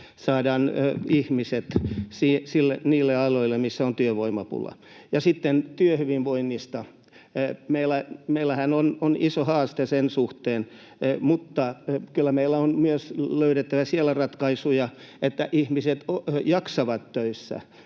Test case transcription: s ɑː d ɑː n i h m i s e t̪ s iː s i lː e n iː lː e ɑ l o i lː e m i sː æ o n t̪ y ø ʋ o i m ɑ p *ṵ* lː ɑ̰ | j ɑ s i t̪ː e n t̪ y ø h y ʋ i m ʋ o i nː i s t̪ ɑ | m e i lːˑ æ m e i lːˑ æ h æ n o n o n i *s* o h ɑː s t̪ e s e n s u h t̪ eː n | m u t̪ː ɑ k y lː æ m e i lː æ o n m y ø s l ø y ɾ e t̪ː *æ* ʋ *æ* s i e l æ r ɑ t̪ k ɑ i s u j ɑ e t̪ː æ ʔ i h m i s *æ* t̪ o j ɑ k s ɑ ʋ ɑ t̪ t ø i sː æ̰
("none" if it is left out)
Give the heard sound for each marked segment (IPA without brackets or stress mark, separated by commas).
ṵ, s, æ, æ, e